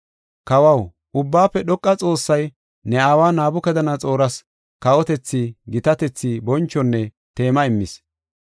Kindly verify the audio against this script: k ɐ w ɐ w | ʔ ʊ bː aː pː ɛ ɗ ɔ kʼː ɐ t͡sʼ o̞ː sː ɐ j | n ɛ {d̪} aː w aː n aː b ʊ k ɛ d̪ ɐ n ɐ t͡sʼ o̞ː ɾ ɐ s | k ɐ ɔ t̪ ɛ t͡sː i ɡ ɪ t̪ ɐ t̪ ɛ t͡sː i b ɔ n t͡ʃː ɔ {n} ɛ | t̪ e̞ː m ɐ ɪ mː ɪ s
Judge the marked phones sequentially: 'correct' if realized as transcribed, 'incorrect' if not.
incorrect: none, incorrect: nː

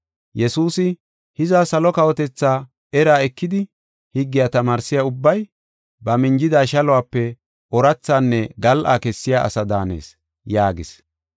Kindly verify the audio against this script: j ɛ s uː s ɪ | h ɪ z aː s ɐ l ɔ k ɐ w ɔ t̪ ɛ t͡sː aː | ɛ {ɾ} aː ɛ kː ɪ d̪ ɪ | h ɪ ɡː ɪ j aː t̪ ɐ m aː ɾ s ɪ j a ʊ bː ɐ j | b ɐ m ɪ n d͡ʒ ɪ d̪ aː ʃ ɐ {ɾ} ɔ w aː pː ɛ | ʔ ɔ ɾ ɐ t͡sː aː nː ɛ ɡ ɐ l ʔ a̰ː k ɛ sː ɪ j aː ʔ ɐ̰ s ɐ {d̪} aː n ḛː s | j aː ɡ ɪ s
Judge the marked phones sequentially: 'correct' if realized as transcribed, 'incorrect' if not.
correct, incorrect: l, correct

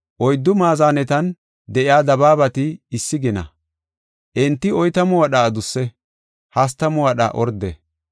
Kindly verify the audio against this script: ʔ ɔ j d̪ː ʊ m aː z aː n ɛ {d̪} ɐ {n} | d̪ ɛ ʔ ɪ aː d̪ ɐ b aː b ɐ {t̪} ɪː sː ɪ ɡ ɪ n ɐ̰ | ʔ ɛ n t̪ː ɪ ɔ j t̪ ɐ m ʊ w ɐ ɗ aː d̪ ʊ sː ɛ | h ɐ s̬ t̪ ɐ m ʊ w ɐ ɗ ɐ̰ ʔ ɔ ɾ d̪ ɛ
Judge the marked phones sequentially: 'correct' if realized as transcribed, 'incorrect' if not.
incorrect: t̪, correct, correct

